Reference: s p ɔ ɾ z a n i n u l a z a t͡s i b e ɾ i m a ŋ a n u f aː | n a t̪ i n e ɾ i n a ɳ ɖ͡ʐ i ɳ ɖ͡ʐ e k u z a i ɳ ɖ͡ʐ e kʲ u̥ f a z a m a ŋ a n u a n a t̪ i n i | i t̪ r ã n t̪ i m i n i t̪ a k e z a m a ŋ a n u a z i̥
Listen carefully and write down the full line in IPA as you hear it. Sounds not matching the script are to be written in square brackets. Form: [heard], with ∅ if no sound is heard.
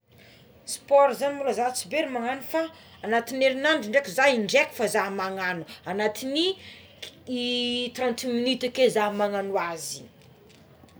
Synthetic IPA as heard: s p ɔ ɾ z a n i [m] u l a z a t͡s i b e ɾ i m a ŋ a n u f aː | n a t̪ i n e ɾ i n a ɳ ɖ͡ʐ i ɳ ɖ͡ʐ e k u z a i ɳ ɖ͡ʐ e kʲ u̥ f a z a m a ŋ a n u a n a t̪ i n i | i t̪ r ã n t̪ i m i n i t̪ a k e z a m a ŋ a n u a z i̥